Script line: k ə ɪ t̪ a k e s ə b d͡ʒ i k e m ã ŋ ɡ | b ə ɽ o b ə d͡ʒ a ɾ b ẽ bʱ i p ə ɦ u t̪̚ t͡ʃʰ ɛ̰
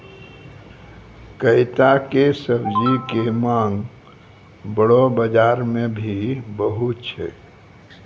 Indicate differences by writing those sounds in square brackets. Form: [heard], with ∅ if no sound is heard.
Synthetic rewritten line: k ə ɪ t̪ a k e s ə b d͡ʒ i k e m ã ŋ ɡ | b ə ɽ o b ə d͡ʒ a ɾ [m] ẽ bʱ i [b] ə ɦ u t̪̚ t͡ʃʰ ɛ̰